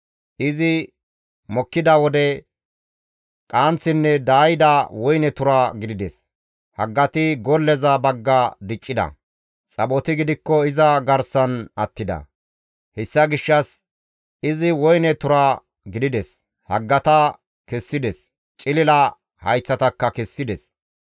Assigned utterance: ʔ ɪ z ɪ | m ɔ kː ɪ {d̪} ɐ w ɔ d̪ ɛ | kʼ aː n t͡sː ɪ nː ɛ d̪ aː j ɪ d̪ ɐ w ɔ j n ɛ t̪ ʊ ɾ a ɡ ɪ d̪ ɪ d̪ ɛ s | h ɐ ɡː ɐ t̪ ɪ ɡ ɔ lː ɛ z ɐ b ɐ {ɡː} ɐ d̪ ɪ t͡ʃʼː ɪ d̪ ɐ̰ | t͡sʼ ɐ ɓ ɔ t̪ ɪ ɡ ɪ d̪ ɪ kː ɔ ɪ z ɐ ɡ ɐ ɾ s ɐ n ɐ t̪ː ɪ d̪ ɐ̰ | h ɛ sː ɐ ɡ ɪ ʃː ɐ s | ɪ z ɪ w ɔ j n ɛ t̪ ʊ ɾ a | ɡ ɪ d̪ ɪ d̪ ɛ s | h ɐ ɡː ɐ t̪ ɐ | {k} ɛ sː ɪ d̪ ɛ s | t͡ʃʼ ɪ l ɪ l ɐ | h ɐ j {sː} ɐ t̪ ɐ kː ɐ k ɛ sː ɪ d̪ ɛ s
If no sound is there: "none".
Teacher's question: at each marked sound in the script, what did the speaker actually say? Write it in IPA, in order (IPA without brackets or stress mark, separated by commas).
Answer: d̪, ɡː, k, t͡sː